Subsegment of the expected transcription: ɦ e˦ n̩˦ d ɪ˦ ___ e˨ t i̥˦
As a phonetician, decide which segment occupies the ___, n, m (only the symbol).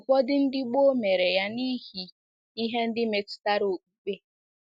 m